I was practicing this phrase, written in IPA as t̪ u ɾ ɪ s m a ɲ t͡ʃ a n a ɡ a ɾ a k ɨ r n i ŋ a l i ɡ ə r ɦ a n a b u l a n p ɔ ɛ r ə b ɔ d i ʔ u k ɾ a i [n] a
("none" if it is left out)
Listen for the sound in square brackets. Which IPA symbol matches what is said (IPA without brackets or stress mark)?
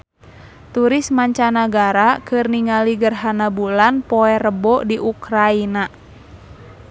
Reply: n